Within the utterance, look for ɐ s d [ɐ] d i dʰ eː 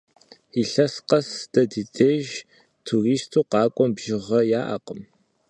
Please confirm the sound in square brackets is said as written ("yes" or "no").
yes